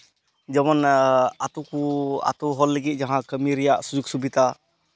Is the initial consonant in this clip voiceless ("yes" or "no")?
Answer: no